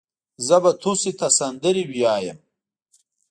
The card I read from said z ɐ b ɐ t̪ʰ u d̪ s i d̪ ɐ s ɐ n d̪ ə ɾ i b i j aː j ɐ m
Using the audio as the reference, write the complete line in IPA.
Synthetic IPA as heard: z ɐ b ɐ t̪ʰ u s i t̪ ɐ s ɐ n d̪ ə ɾ i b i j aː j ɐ m